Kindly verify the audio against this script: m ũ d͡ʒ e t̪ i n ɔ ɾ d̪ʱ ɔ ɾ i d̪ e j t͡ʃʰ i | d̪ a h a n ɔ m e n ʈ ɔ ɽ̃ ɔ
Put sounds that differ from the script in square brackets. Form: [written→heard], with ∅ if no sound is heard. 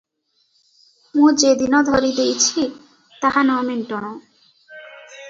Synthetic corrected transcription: m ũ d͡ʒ e [t̪→d̪] i n ɔ [ɾ→∅] d̪ʱ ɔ ɾ i d̪ e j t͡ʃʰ i | [d̪→t̪] a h a n ɔ m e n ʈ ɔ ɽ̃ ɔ